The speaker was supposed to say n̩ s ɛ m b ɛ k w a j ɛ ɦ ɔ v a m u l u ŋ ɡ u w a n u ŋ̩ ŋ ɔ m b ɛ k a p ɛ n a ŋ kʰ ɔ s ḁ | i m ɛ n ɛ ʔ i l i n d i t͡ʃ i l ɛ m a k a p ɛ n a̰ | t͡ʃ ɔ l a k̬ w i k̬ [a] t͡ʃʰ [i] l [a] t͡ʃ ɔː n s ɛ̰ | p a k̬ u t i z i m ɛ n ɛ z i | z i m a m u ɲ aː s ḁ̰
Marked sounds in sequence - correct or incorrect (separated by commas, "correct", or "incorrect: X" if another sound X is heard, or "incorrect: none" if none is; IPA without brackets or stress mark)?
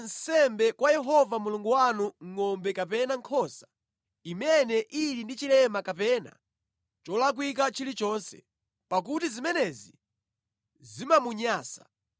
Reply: correct, correct, incorrect: i